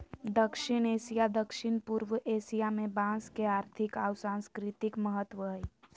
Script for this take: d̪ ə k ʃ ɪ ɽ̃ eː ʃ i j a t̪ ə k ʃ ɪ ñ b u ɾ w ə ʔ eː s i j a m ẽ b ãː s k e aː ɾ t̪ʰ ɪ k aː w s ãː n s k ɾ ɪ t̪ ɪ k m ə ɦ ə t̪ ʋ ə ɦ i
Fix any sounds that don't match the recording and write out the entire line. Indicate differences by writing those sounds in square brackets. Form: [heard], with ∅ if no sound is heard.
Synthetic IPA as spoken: d̪ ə k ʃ ɪ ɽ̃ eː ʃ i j a [d̪] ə k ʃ ɪ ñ [p] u ɾ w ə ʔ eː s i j a m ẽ b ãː s k e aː ɾ t̪ʰ ɪ k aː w s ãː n s k ɾ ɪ t̪ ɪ k m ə ɦ ə t̪ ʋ ə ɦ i